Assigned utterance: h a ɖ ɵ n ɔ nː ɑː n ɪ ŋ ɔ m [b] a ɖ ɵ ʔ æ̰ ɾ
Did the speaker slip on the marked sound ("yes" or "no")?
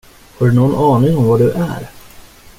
yes